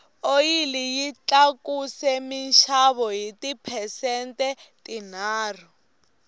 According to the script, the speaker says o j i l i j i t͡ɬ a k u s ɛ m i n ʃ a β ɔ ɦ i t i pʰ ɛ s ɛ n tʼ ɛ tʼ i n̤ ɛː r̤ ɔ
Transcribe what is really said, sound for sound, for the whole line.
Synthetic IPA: o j i l i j i t͡ɬ a k u s ɛ m i n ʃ a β ɔ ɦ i t i pʰ ɛ s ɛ n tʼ ɛ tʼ i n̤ aː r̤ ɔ